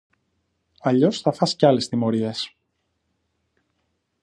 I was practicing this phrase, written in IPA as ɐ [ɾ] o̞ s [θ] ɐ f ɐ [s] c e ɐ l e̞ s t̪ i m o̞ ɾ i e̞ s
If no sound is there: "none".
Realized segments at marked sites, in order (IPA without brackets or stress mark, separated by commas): ʎ, θ, s